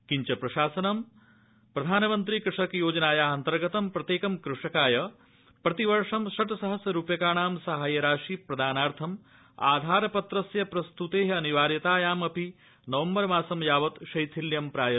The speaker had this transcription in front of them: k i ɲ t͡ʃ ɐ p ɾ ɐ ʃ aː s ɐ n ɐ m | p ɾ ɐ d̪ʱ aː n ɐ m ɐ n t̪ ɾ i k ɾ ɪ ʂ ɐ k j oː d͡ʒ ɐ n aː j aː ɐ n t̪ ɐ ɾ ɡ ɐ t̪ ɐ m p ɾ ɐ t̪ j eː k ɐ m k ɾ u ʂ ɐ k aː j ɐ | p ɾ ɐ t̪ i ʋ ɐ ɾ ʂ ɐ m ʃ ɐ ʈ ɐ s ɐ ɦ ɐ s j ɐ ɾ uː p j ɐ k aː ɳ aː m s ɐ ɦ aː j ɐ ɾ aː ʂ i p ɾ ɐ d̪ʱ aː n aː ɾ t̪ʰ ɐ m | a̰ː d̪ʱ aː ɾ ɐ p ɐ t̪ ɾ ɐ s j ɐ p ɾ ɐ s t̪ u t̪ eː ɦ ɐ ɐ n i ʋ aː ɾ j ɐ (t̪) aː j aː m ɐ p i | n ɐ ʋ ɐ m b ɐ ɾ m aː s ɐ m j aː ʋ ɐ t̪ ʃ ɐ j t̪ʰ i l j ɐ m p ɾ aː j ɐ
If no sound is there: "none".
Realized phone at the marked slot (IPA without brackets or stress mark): t̪